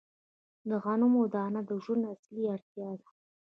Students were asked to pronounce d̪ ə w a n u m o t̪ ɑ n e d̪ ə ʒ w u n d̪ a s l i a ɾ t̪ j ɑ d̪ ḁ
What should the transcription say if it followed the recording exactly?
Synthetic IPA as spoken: d̪ ə ɣ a n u m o d̪ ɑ n a d̪ ə ʒ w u n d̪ a s l i a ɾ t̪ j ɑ d̪ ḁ